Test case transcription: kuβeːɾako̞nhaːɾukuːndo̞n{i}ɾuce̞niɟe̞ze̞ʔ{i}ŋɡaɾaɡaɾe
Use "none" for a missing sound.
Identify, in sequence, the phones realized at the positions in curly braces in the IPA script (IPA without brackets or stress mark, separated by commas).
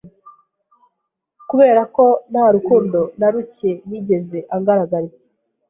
a, a